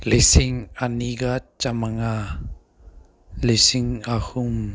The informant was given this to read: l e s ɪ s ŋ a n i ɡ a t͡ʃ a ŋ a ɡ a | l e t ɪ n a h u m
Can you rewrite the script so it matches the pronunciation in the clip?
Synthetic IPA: l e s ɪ ŋ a n i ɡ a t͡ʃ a m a ŋ a | l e s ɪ ŋ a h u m